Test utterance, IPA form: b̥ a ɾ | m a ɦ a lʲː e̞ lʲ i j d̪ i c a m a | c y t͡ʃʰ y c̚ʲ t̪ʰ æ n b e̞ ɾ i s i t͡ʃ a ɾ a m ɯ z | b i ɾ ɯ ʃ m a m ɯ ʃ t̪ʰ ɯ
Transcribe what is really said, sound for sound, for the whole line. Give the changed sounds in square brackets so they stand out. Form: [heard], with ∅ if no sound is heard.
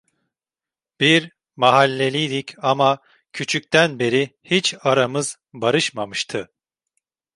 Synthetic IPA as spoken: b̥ [i] ɾ | m a ɦ a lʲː e̞ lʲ i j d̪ i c a m a | [cʰ] y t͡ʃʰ y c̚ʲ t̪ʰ æ n b e̞ ɾ i [h] i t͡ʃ a ɾ a m ɯ z | b [a] ɾ ɯ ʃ m a m ɯ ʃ t̪ʰ ɯ